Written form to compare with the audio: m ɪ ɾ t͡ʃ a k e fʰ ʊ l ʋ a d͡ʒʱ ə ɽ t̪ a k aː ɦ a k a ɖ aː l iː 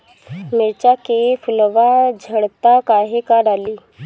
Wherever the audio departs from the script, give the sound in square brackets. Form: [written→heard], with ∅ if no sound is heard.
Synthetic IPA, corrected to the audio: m ɪ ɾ t͡ʃ a k e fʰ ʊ l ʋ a d͡ʒʱ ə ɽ t̪ a k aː ɦ [a→e] k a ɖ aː l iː